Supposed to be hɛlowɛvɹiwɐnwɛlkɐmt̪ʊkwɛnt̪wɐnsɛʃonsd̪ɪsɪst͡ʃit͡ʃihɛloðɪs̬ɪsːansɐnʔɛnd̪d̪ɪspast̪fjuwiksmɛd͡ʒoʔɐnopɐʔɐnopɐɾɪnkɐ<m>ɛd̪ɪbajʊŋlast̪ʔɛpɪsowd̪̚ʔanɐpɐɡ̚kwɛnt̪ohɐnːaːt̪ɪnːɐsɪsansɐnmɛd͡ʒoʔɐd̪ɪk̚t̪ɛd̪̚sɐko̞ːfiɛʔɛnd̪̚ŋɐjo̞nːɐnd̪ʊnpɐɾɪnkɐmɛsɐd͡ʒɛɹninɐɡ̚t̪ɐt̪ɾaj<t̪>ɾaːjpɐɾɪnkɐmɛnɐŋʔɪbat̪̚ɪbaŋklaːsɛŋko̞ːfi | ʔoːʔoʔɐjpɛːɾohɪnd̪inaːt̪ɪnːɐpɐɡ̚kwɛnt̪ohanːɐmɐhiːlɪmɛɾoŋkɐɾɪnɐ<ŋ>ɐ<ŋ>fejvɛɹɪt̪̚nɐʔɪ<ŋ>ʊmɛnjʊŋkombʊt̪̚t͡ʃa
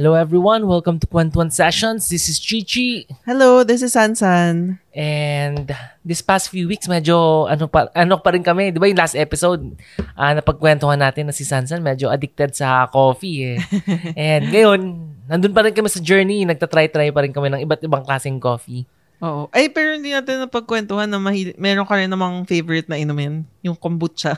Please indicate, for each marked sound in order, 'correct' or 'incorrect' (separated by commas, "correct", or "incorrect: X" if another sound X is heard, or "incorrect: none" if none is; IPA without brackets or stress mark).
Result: correct, correct, incorrect: m, correct, incorrect: n